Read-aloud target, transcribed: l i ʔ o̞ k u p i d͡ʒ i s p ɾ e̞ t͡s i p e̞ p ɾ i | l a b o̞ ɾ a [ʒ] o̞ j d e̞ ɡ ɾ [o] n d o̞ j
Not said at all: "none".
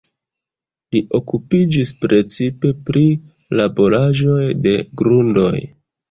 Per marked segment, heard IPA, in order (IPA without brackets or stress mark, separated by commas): ʒ, u